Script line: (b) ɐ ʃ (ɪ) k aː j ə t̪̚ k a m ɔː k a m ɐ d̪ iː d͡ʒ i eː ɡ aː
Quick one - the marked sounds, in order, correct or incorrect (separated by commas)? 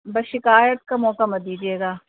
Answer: correct, correct